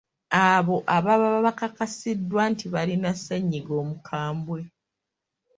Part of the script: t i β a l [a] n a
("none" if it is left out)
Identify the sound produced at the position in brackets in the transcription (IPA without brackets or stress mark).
i